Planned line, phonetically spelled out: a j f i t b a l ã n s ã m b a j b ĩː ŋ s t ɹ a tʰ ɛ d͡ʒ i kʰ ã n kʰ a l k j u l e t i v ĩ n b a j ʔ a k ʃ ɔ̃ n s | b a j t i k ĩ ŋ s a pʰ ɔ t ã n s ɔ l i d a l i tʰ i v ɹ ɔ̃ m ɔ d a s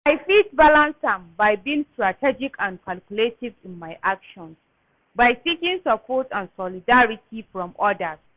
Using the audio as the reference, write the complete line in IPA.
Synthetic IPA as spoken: a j f i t b a l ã n s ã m b a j b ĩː ŋ s t ɹ a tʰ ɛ d͡ʒ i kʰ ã n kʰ a l k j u l e t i v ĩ n m a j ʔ a k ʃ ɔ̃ n s | b a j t i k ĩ ŋ s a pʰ ɔ t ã n s ɔ l i d a ɹ i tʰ i f ɹ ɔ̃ m ɔ d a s